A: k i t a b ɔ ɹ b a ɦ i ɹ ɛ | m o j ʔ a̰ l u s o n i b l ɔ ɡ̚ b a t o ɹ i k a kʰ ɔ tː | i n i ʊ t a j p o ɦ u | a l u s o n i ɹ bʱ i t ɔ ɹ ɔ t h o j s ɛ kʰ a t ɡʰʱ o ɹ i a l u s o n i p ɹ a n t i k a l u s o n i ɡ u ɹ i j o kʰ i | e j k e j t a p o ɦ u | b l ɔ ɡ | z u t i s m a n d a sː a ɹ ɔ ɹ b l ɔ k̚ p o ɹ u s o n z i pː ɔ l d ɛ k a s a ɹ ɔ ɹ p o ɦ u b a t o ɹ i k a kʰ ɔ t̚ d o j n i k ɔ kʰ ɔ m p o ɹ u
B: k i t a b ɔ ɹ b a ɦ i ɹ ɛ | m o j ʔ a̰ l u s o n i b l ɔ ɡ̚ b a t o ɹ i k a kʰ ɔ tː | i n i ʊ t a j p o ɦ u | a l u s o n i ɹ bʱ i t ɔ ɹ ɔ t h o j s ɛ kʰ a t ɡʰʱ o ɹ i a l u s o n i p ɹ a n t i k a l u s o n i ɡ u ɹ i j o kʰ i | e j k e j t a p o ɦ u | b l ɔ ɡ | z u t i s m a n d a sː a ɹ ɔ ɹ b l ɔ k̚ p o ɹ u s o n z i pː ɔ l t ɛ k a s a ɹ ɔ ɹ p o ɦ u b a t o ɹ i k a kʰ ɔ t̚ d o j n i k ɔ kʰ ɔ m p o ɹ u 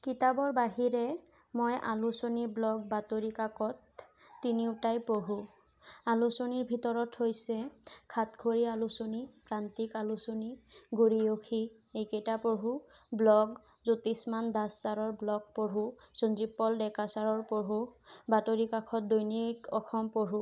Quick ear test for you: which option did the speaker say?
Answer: A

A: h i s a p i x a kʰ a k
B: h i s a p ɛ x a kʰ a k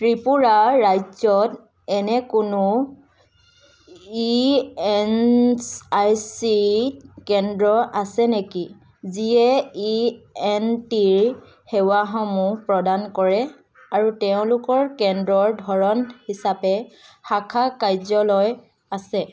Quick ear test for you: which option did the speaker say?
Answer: B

